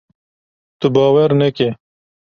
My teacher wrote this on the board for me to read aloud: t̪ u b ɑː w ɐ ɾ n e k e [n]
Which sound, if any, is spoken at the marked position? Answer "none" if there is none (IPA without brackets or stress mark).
none